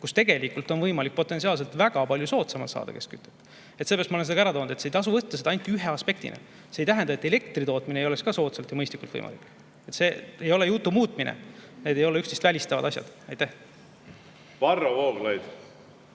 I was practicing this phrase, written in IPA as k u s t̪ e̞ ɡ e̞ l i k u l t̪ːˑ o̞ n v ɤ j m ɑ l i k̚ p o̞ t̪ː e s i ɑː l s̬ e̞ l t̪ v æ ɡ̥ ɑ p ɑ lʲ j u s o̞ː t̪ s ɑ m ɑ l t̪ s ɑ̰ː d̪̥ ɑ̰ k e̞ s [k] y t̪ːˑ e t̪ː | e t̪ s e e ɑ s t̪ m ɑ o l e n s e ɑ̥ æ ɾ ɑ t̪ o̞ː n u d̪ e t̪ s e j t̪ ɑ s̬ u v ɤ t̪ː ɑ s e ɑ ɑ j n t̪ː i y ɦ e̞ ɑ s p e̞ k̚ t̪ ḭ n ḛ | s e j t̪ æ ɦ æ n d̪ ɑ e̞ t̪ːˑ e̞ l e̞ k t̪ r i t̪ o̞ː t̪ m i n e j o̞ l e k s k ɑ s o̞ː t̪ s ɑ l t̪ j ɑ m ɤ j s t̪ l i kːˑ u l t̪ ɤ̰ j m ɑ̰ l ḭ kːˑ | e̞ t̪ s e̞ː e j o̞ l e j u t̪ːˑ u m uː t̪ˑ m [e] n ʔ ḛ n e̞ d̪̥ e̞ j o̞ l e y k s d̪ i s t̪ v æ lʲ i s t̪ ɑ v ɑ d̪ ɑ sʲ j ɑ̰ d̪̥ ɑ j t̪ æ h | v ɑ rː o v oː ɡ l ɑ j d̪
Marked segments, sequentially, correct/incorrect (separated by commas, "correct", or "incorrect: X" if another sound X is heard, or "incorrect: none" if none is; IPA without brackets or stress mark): correct, incorrect: i